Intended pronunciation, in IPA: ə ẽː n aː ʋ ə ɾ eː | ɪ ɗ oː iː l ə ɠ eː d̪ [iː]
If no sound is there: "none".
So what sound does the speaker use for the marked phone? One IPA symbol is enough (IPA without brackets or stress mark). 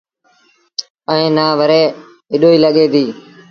iː